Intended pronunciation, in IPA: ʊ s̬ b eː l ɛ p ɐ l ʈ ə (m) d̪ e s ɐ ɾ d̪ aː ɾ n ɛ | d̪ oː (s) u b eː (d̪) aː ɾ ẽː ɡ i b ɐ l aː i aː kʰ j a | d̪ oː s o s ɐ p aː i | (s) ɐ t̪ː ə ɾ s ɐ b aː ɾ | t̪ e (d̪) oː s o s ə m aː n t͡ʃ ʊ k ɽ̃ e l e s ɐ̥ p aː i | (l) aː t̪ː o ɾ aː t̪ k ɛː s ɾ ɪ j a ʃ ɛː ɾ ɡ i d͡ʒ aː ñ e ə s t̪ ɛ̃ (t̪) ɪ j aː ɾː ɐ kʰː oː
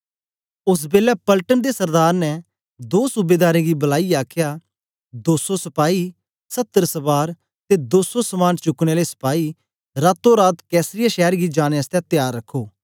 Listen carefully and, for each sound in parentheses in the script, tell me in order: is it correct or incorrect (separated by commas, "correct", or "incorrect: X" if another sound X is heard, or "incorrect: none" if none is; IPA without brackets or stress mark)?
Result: incorrect: n, correct, correct, correct, correct, incorrect: ɾ, correct